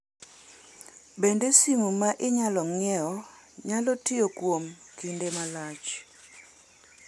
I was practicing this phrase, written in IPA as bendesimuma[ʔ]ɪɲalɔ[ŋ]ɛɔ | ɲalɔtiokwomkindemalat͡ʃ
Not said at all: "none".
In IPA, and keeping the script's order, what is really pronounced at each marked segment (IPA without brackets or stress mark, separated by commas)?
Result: ʔ, ŋ